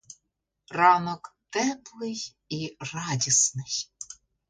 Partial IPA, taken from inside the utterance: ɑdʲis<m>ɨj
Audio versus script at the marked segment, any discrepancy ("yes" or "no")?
yes